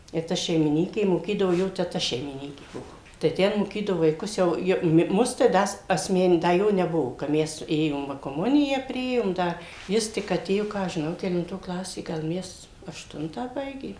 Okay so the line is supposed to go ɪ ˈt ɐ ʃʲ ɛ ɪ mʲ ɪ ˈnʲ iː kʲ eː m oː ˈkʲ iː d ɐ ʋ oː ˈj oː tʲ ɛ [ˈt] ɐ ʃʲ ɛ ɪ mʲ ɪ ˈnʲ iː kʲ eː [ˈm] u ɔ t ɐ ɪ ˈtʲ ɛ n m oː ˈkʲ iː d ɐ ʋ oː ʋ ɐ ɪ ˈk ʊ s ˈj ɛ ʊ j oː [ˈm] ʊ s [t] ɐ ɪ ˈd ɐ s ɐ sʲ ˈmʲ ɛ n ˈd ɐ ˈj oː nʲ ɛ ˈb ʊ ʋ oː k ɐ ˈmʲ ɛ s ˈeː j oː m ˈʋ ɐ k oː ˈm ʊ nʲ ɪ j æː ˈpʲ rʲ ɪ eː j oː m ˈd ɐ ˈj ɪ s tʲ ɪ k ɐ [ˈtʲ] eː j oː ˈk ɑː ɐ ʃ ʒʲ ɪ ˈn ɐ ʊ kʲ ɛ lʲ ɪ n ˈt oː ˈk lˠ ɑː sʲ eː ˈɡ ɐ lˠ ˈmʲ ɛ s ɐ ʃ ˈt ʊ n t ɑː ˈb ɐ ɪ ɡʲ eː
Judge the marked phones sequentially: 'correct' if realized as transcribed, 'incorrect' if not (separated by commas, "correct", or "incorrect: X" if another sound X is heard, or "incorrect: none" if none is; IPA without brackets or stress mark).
correct, incorrect: b, correct, correct, correct